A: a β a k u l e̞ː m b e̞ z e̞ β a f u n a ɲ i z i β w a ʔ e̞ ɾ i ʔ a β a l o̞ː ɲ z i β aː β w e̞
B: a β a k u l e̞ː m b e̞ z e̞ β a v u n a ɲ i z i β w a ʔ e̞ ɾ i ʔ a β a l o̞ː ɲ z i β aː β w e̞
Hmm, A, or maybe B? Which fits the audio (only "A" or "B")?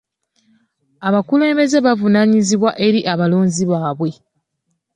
B